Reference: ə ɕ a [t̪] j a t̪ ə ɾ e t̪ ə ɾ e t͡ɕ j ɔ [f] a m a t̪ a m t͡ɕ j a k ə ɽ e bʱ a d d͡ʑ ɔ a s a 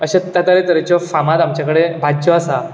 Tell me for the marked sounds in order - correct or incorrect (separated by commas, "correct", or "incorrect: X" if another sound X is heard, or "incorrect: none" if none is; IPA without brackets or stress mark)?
correct, correct